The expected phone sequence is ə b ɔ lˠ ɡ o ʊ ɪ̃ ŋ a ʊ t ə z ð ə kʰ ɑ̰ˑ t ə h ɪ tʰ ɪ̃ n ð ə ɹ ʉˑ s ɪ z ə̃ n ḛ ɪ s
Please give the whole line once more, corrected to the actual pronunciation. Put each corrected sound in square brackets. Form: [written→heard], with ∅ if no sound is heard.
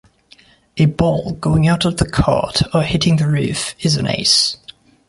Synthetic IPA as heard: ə b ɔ lˠ ɡ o ʊ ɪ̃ ŋ a ʊ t ə [z→v] ð ə kʰ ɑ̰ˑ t ə h ɪ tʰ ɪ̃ [n→ŋ] ð ə ɹ ʉˑ [s→f] ɪ z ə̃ n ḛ ɪ s